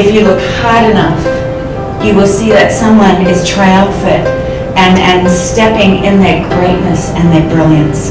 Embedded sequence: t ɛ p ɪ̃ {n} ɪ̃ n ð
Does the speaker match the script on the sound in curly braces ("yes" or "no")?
no